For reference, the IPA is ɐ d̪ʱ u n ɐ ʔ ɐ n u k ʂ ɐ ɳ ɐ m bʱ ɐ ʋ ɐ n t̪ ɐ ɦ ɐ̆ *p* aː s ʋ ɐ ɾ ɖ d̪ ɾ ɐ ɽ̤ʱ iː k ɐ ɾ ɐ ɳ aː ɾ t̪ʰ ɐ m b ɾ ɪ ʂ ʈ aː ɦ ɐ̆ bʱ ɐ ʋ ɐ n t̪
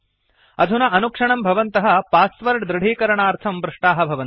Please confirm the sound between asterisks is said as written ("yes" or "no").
yes